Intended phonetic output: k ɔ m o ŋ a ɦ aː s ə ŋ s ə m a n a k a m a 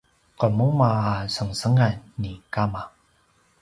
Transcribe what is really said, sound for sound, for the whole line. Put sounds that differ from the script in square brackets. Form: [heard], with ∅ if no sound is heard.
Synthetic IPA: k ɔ m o [m] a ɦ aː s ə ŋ s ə [ŋ] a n [i] k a m a